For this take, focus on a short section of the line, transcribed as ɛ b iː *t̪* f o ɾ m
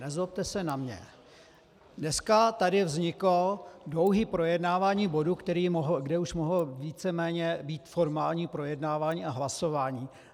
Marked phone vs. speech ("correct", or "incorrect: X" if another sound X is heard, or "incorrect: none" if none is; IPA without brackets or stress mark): correct